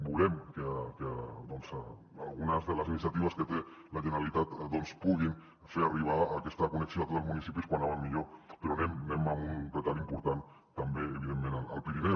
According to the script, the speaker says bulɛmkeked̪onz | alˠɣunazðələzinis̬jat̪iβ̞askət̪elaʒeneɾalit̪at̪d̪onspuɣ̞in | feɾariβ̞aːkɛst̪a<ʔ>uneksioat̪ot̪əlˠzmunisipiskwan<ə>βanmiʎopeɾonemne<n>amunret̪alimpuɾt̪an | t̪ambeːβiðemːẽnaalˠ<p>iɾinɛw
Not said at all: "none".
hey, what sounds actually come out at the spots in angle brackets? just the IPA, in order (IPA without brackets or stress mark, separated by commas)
k, a, m, p